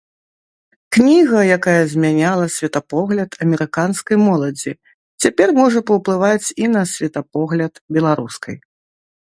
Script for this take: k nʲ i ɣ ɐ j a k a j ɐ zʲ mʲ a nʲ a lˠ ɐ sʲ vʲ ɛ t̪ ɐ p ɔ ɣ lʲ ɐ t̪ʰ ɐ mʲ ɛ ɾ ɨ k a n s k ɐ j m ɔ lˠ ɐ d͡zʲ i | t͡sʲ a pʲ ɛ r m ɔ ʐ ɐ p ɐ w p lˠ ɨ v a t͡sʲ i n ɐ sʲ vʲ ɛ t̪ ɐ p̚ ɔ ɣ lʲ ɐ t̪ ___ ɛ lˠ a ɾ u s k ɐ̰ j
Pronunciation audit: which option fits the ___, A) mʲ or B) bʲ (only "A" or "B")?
B